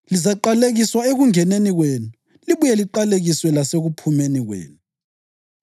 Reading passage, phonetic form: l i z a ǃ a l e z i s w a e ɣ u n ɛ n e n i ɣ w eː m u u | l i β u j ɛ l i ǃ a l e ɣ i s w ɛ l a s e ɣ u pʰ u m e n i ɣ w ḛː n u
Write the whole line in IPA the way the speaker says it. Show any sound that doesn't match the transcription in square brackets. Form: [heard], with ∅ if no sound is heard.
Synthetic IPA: l i z a ǃ a l e [ɣ] i s w a e ɣ u [ŋ] ɛ n e n i ɣ w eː [n] u u | l i β u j ɛ l i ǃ a l e ɣ i s w ɛ l a s e ɣ u pʰ u m e n i ɣ w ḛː n u